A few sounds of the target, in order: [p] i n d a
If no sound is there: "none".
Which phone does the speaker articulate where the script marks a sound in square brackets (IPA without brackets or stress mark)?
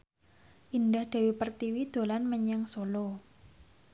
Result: ʔ